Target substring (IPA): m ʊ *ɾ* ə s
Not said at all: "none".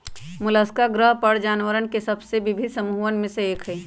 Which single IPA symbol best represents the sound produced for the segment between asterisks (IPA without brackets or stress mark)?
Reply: l